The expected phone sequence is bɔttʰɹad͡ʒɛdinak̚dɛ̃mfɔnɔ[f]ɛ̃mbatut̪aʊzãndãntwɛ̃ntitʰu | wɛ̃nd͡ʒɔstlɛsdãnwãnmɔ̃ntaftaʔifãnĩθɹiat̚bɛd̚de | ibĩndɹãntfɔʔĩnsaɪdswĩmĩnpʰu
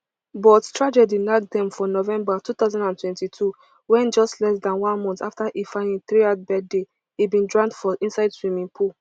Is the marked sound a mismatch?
yes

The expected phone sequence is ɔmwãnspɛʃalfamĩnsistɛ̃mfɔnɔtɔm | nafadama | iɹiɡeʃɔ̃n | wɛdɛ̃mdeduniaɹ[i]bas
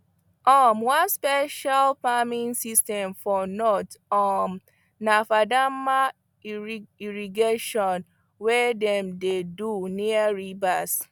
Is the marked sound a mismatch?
no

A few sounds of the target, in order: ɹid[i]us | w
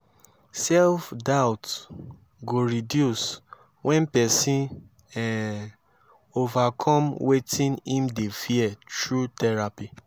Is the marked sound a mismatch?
yes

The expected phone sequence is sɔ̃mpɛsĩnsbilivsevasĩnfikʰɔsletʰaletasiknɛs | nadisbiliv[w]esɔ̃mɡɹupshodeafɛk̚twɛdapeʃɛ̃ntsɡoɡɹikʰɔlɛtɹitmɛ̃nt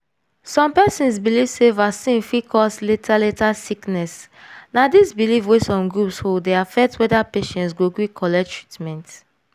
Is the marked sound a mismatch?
no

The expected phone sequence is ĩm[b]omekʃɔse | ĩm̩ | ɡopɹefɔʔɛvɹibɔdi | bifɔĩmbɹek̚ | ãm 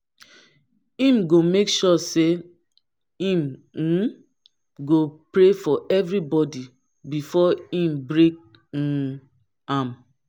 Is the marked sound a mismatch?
yes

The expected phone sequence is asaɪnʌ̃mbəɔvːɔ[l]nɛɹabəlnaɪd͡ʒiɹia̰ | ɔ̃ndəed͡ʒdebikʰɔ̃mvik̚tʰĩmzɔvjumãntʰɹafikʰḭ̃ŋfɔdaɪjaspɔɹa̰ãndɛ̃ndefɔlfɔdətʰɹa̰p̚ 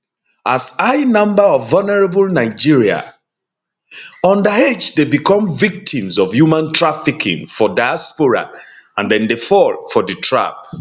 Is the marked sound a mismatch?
no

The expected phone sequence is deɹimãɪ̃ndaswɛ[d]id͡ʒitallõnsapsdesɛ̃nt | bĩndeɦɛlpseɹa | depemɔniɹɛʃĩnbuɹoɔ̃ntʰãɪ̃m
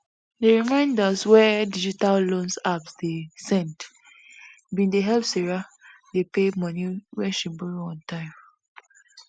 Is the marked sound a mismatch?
no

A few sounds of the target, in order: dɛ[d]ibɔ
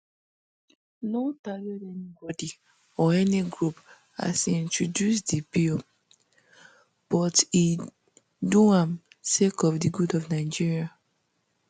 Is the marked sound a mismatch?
yes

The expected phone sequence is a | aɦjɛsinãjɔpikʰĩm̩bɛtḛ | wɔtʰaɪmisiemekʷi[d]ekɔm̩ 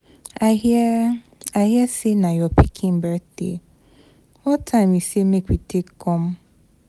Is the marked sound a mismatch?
yes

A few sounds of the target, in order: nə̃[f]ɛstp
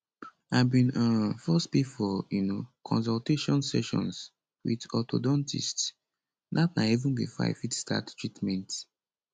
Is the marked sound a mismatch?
no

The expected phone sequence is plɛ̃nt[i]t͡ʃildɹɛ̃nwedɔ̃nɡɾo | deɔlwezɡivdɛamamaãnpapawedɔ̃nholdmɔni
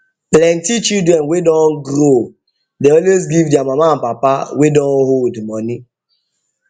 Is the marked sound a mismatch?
no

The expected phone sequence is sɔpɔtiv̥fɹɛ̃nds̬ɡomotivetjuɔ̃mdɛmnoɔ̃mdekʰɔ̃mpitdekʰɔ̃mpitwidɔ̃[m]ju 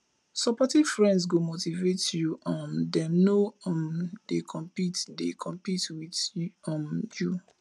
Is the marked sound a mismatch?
no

